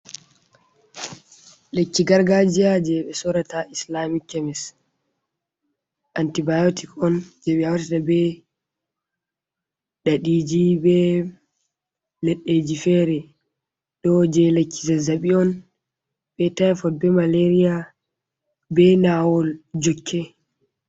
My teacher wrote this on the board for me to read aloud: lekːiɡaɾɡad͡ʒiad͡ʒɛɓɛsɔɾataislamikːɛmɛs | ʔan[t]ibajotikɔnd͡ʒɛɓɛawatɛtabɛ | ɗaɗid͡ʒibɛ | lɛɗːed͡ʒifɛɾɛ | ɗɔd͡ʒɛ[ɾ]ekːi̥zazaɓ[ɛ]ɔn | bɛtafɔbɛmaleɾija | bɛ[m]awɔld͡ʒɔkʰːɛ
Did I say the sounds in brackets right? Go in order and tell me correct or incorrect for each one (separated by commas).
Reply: correct, incorrect, incorrect, incorrect